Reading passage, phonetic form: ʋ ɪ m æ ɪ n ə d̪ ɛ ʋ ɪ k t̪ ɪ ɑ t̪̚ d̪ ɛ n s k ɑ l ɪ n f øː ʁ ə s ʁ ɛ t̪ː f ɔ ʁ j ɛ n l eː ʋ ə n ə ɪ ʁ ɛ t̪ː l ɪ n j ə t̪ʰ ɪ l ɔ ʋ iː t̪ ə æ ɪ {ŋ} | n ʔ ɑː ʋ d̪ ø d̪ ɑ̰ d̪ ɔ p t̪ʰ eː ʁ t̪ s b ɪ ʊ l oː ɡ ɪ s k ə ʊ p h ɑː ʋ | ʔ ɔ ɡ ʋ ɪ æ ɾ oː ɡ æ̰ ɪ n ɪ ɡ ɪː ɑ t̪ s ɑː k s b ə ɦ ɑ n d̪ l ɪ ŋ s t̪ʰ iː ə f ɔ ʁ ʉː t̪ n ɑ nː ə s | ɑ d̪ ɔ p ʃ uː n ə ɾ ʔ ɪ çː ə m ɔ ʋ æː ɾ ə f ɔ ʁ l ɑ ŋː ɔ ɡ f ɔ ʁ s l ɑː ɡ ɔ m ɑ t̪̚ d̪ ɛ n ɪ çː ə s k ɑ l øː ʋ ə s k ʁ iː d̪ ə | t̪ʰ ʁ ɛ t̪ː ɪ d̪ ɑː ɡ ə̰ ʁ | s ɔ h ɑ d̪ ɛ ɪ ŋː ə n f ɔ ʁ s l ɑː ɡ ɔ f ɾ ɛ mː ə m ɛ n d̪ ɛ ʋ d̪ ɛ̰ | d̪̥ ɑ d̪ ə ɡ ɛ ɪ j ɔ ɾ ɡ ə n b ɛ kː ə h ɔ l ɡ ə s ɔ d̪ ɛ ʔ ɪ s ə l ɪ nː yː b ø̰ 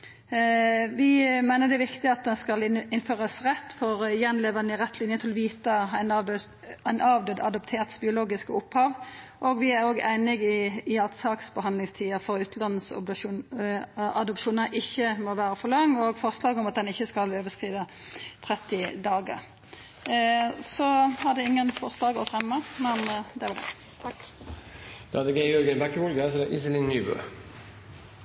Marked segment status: incorrect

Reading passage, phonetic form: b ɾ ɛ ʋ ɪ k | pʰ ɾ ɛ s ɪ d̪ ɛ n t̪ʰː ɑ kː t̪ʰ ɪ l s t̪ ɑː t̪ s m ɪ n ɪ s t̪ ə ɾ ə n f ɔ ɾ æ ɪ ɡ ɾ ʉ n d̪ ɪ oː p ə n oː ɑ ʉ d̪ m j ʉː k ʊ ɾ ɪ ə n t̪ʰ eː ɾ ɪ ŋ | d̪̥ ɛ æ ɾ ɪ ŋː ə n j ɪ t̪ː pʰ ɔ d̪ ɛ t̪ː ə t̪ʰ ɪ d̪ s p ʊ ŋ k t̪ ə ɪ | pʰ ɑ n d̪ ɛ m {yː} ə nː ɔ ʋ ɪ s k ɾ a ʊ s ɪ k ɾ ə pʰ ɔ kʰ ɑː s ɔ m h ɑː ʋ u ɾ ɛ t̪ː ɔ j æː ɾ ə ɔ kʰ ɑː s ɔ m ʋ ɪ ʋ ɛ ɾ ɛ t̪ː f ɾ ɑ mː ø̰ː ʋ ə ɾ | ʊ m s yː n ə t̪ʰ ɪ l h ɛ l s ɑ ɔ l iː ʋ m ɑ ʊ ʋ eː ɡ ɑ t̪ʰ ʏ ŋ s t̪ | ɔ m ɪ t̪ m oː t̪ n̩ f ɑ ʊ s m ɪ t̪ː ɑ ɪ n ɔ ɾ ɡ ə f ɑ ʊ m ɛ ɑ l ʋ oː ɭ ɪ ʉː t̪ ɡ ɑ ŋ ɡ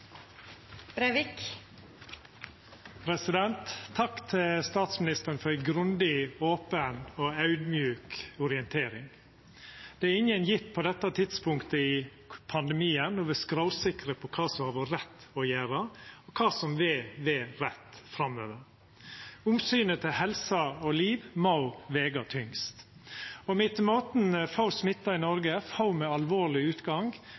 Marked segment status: incorrect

